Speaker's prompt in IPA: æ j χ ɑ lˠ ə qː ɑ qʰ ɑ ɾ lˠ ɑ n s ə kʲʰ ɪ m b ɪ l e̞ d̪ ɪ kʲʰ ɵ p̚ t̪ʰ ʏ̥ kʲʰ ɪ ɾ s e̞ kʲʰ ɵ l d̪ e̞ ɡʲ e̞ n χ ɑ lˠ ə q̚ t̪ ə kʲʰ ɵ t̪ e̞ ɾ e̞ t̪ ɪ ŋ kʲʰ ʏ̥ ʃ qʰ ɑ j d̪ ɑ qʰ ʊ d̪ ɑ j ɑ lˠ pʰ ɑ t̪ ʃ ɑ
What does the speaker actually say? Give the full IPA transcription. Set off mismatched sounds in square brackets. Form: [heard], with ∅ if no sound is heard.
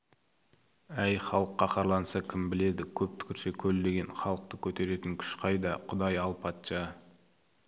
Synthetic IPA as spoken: æ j χ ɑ lˠ ə qː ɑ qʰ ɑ ɾ lˠ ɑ n s [ɑ] kʲʰ ɪ m b ɪ l e̞ d̪ ɪ kʲʰ ɵ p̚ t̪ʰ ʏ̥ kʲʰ ɪ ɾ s e̞ kʲʰ ɵ l d̪ e̞ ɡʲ e̞ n χ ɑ lˠ ə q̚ t̪ ə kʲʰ ɵ t̪ e̞ ɾ e̞ t̪ ɪ ŋ kʲʰ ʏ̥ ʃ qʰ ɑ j d̪ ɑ qʰ ʊ d̪ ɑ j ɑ lˠ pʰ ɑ t̪ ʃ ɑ

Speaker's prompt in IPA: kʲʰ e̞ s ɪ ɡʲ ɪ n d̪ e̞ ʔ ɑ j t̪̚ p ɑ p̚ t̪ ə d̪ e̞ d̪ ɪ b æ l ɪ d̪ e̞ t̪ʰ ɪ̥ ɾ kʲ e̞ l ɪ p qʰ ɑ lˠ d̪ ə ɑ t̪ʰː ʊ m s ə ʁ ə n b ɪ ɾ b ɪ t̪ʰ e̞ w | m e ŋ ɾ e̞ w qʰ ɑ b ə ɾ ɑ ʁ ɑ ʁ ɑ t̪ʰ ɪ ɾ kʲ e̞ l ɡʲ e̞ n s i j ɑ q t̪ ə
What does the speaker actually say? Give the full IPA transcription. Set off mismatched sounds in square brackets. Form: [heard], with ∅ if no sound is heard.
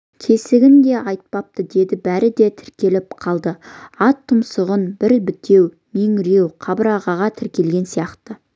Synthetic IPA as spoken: kʲʰ e̞ s ɪ ɡʲ ɪ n d̪ e̞ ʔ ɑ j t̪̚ p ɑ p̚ t̪ ə d̪ e̞ d̪ ɪ b æ [ɾ] ɪ d̪ e̞ t̪ʰ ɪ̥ ɾ kʲ e̞ l ɪ p qʰ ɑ lˠ d̪ ə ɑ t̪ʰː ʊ m s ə ʁ ə n b ɪ ɾ b ɪ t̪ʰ e̞ w | m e ŋ ɾ e̞ w qʰ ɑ b ə ɾ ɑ ʁ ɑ ʁ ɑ t̪ʰ ɪ ɾ kʲ e̞ l ɡʲ e̞ n s i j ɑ q t̪ ə

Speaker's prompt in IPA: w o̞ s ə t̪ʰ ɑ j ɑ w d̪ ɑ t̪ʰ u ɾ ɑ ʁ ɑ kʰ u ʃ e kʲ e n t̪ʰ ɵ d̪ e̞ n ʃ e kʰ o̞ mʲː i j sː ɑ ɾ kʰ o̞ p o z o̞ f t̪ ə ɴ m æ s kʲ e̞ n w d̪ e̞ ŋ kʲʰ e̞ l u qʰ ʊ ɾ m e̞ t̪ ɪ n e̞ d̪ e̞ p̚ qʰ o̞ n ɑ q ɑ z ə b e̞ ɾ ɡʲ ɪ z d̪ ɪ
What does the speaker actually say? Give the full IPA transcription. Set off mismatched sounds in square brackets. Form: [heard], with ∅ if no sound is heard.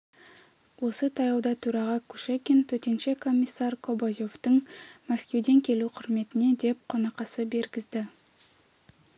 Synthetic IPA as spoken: w o̞ s ə t̪ʰ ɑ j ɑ w d̪ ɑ t̪ʰ u ɾ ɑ ʁ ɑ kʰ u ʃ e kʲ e n t̪ʰ ɵ [t̪] e̞ n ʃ e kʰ o̞ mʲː i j sː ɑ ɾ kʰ o̞ [b] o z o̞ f t̪ ə ɴ m æ s kʲ e̞ [∅] w d̪ e̞ ŋ kʲʰ e̞ l u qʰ ʊ ɾ m e̞ t̪ ɪ n e̞ d̪ e̞ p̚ qʰ o̞ n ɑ q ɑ [s] ə b e̞ ɾ ɡʲ ɪ z d̪ ɪ

